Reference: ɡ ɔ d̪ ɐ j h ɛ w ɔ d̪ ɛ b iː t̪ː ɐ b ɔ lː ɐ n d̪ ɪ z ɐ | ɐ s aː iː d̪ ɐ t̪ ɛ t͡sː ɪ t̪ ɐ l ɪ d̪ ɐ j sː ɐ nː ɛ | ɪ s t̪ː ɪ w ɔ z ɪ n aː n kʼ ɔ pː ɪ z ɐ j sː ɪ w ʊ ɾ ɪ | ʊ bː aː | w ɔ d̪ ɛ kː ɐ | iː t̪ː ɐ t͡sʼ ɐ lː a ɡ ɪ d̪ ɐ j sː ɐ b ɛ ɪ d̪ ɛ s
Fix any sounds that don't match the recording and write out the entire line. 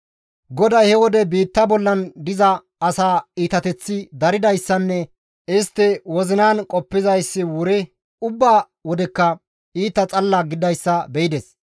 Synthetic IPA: ɡ ɔ d̪ ɐ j h ɛ w ɔ d̪ ɛ b iː t̪ː ɐ b ɔ lː ɐ n d̪ ɪ z ɐ | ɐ s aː iː t̪ ɐ t̪ ɛ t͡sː ɪ d̪ ɐ ɾ ɪ d̪ ɐ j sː ɐ nː ɛ | ɪ s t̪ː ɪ w ɔ z ɪ n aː n kʼ ɔ pː ɪ z ɐ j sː ɪ w ʊ ɾ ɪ | ʊ bː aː | w ɔ d̪ ɛ kː ɐ | iː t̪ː ɐ t͡sʼ ɐ lː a ɡ ɪ d̪ ɐ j sː ɐ b ɛ ɪ d̪ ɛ s